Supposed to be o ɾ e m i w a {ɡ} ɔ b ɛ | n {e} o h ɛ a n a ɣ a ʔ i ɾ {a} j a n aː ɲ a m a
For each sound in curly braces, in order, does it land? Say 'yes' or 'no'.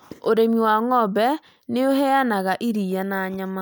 no, yes, no

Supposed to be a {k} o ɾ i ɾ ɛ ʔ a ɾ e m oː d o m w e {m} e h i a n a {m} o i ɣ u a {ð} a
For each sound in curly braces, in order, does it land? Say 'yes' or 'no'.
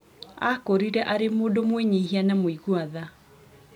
yes, no, yes, yes

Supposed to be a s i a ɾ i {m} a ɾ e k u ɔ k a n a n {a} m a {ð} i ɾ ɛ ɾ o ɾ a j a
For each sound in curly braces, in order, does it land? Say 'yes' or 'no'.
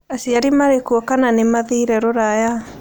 yes, no, yes

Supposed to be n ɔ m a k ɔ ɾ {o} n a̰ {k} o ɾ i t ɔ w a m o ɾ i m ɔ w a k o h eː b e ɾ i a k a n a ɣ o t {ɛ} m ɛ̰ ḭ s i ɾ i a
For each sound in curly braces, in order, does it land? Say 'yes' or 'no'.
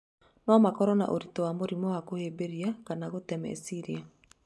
no, no, yes

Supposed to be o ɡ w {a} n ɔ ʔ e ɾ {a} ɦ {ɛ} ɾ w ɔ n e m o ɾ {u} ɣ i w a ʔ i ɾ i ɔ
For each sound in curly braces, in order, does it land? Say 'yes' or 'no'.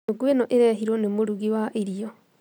no, no, no, yes

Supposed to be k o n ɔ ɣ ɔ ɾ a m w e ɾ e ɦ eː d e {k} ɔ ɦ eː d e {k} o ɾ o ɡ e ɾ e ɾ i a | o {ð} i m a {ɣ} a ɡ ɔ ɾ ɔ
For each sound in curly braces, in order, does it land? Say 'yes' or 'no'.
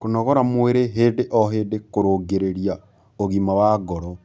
no, yes, no, no

